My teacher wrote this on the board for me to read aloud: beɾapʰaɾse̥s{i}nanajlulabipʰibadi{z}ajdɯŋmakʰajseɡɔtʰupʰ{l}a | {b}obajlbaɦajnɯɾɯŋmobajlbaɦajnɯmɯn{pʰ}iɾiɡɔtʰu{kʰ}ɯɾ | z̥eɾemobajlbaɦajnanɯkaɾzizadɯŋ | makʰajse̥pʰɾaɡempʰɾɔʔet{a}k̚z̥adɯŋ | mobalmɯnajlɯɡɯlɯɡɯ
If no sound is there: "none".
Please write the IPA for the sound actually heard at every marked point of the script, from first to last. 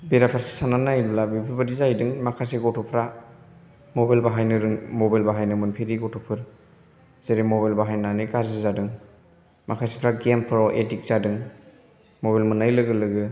a, z, ɾ, m, pʰ, pʰ, i

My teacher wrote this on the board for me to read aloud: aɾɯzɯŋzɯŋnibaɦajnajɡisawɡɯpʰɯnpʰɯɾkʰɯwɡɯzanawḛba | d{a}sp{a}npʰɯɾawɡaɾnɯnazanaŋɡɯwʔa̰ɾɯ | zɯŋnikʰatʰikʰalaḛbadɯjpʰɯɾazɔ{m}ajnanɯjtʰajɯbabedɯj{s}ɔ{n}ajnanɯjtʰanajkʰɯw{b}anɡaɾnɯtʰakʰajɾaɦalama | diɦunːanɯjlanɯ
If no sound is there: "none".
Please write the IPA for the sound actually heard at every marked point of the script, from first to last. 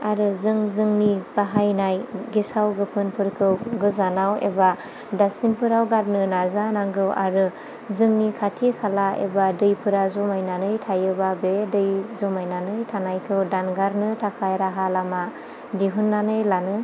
a, i, m, z, m, d

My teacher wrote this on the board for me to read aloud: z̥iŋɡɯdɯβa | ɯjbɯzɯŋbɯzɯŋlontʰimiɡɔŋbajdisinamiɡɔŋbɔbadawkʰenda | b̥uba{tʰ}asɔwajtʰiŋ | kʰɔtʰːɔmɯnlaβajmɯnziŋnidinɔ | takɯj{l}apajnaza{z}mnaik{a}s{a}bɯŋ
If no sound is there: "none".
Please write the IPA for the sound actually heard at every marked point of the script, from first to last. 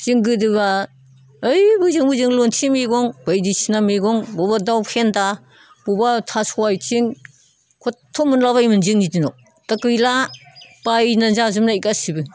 tʰ, l, z, a, i

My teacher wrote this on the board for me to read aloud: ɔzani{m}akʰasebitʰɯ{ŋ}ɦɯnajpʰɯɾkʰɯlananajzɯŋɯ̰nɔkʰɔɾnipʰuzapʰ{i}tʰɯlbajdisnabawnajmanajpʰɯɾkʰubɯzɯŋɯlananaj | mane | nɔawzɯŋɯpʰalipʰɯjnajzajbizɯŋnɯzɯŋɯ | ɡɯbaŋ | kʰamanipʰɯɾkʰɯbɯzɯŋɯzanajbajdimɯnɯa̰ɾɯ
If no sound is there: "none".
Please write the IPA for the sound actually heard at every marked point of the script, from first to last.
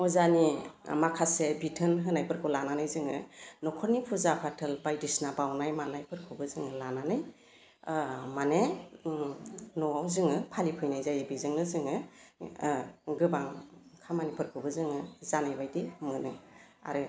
m, n, a

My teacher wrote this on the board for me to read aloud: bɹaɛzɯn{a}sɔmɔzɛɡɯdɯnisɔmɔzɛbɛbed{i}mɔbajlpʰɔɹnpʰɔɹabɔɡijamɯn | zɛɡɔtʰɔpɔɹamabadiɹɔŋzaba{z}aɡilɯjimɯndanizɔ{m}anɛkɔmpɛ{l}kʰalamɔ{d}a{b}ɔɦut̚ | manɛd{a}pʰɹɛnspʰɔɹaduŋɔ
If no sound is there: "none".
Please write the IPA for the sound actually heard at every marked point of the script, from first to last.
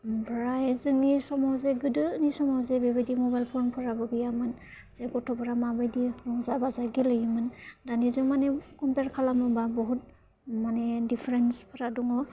i, i, z, m, ɹ, b, b, i

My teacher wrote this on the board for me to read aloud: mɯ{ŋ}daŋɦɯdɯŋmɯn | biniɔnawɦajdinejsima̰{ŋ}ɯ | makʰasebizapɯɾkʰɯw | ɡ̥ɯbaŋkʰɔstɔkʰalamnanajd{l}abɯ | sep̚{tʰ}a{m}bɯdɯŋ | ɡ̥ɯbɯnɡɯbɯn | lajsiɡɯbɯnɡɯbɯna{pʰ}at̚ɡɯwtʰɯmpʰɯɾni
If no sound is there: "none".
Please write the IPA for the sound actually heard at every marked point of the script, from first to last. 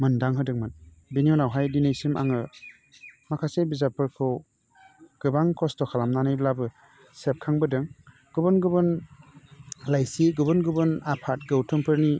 n, ŋ, l, kʰ, ŋ, pʰ

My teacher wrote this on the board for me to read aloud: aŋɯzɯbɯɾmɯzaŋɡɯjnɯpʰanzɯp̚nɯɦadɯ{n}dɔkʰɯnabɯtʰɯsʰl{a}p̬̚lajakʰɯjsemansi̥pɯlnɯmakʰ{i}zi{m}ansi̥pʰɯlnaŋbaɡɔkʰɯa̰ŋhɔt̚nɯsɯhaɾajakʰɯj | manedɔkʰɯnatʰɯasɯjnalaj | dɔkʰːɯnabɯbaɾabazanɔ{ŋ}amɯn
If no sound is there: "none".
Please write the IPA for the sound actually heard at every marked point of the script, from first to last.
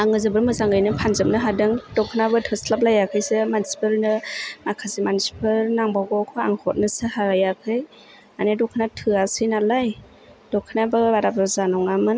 ŋ, a, a, m, ŋ

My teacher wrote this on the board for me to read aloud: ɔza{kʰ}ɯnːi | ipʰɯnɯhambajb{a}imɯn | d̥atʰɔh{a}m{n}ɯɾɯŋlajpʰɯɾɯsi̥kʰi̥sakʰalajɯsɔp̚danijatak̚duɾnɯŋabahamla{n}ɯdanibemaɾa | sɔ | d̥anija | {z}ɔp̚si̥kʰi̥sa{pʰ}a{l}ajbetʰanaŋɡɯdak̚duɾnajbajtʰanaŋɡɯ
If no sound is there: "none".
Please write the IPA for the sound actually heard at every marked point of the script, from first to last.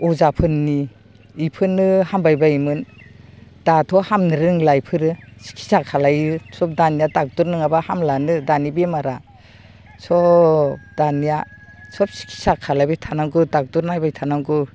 pʰ, a, a, n, n, s, kʰ, l

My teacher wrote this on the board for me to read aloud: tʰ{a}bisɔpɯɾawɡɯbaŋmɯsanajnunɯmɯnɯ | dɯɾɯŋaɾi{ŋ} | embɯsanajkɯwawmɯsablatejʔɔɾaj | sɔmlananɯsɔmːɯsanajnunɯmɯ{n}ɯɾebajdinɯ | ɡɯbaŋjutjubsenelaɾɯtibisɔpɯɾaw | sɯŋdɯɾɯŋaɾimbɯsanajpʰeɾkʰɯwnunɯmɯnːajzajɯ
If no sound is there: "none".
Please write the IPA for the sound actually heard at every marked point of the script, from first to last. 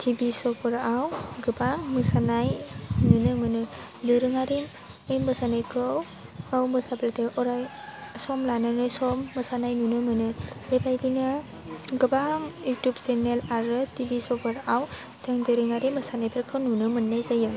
i, m, n

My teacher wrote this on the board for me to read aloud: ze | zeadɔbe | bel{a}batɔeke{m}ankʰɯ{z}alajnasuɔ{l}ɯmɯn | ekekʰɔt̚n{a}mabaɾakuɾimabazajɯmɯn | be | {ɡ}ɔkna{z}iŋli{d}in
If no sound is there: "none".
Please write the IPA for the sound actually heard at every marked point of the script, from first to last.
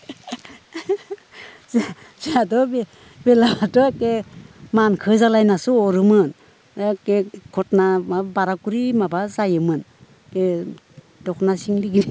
a, m, z, ɾ, a, d, s, ɡ

